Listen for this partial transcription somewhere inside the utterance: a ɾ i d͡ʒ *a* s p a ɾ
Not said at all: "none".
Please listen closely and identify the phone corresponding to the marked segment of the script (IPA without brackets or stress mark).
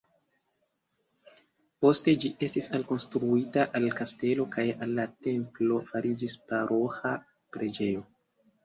i